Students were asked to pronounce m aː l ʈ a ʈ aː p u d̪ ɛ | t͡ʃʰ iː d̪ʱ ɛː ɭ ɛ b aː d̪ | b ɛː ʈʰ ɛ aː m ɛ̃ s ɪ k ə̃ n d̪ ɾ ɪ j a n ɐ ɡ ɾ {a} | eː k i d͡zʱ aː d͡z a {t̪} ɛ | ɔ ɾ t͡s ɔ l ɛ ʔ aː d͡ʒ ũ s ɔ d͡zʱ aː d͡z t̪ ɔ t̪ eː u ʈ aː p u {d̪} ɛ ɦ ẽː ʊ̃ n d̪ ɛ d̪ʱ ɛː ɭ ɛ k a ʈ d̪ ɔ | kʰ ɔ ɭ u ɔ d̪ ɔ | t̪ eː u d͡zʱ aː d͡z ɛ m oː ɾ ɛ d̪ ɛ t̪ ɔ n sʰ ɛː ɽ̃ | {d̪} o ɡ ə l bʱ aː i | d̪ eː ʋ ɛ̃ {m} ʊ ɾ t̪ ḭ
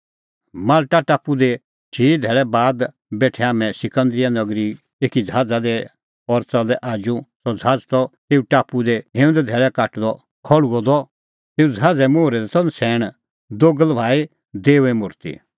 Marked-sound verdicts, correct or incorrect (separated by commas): incorrect, incorrect, correct, correct, correct